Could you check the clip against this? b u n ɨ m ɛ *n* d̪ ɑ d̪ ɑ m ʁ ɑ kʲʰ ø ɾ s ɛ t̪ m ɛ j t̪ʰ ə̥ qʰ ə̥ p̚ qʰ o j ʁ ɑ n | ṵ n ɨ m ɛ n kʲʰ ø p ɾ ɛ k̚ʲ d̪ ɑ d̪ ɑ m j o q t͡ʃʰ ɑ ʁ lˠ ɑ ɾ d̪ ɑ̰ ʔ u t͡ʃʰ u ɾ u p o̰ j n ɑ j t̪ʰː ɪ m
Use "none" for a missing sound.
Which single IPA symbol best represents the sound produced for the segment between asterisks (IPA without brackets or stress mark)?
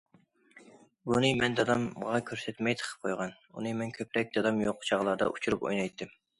n